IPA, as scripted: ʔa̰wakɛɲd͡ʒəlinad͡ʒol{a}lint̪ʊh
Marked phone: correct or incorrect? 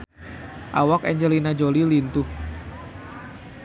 incorrect